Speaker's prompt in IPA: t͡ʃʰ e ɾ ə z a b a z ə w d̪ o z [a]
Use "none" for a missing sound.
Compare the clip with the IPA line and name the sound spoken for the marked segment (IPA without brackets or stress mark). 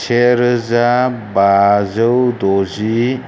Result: i